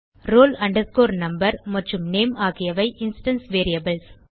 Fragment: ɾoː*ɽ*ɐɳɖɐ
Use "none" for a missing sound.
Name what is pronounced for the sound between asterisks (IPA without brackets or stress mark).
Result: l